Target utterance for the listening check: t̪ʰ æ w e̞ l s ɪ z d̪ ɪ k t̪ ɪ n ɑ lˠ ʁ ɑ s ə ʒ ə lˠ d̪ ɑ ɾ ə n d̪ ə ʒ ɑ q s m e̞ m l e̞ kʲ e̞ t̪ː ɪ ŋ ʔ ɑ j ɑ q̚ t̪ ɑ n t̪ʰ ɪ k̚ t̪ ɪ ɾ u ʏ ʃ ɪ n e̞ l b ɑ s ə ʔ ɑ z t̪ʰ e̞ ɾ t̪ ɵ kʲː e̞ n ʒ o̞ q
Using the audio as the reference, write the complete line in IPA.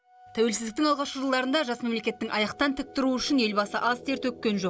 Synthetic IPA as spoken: t̪ʰ æ w e̞ l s ɪ z d̪ ɪ k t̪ ɪ ŋ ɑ lˠ ʁ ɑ ʃ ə ʒ ə lˠ d̪ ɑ ɾ ə n d̪ ɑ ʒ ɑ s m e̞ m l e̞ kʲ e̞ t̪ː ɪ ŋ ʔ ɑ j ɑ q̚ t̪ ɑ n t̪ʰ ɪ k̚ t̪ ɪ ɾ u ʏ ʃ ɪ n e̞ l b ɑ s ə ʔ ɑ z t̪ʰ e̞ ɾ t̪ ɵ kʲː e̞ n ʒ o̞ q